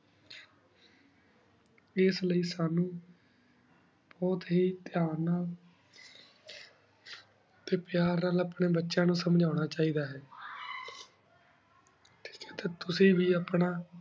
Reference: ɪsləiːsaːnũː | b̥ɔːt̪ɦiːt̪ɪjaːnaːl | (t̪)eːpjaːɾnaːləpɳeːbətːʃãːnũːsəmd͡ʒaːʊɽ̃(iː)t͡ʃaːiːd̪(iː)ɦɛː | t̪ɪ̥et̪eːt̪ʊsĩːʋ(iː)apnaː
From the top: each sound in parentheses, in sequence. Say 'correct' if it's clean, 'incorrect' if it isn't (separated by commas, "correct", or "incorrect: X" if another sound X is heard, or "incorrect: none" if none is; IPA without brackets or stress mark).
correct, incorrect: aː, incorrect: aː, correct